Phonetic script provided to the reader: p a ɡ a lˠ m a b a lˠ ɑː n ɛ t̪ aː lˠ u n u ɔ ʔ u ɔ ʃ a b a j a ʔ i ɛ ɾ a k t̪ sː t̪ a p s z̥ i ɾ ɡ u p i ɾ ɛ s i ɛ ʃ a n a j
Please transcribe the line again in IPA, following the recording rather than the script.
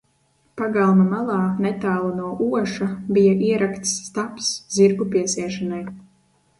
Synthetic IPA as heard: p a ɡ a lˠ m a m a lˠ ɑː n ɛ t̪ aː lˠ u n u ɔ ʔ u ɔ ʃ a b i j a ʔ i ɛ ɾ a k t̪ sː t̪ a p s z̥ i ɾ ɡ u p i ɛ s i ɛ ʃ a n a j